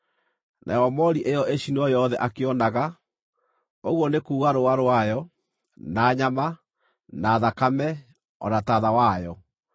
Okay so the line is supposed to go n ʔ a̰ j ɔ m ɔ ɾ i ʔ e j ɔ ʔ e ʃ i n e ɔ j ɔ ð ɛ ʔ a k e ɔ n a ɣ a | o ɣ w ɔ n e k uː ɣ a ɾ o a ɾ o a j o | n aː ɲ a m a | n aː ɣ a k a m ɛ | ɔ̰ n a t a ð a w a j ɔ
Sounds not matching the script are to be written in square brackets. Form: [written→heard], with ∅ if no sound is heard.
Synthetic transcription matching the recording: n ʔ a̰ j ɔ m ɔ ɾ i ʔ e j ɔ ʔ e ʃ i n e ɔ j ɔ ð ɛ ʔ a k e ɔ n a ɣ a | o ɣ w ɔ n e k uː ɣ a ɾ o a ɾ o a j [o→ɔ] | n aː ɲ a m a | n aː [ɣ→ð] a k a m ɛ | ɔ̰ n a t a ð a w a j ɔ